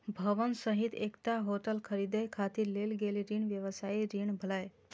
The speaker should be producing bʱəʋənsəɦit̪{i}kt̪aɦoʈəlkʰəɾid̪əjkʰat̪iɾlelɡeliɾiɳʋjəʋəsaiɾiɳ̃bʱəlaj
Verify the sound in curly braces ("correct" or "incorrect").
incorrect